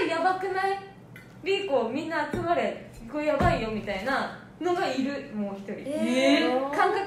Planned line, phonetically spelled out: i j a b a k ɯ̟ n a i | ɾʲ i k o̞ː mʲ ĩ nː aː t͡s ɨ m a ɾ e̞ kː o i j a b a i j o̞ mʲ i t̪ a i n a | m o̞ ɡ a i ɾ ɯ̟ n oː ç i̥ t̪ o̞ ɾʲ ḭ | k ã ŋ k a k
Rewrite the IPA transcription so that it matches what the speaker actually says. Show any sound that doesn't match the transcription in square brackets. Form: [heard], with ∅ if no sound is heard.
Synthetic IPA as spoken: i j a b a k ɯ̟ n a i | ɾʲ i k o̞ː mʲ ĩ nː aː t͡s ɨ m a ɾ e̞ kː o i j a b a i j o̞ mʲ i t̪ a i n a | [n] o̞ ɡ a i ɾ ɯ̟ [m] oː ç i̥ t̪ o̞ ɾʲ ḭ | k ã ŋ k a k